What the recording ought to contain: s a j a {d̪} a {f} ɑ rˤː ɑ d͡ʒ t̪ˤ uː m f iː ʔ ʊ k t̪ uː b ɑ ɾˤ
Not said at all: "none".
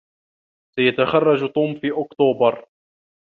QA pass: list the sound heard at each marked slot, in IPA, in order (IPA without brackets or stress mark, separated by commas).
t̪, x